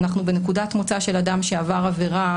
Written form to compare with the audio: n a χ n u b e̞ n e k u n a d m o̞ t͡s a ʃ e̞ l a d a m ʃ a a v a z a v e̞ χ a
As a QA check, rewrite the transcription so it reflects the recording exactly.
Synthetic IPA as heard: n a χ n u b e̞ n e k u d a t m o̞ t͡s a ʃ e̞ l a d a m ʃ e a v a ʁ a v e̞ ʁ a